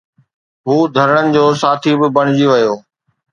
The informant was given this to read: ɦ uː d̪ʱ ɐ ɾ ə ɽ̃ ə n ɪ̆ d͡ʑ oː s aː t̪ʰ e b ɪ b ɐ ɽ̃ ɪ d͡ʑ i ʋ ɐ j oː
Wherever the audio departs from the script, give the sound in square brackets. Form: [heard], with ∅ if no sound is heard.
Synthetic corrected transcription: ɦ uː d̪ʱ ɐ ɾ ə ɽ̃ ə n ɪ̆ d͡ʑ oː s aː t̪ʰ [i] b ɪ b ɐ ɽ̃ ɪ d͡ʑ i ʋ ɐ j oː